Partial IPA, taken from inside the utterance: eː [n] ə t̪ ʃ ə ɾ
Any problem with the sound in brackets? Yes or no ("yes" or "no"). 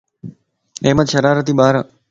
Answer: yes